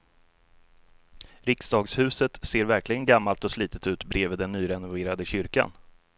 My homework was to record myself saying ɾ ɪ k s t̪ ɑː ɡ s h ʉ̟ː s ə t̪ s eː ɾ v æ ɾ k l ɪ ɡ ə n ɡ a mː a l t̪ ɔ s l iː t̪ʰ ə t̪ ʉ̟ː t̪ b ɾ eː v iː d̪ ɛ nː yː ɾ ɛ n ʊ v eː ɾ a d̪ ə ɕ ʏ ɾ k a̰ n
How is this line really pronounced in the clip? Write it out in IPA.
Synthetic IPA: ɾ ɪ k s d̪ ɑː ɡ s h ʉ̟ː s ə t̪ s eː ɾ v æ ɾ k l ɪ ɡ ə n ɡ a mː a l t̪ ɔ s l iː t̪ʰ ə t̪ ʉ̟ː t̪ b ɾ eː v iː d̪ ɛ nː yː ɾ ɛ n ʊ v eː ɾ a d̪ ə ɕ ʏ ɾ k a̰ n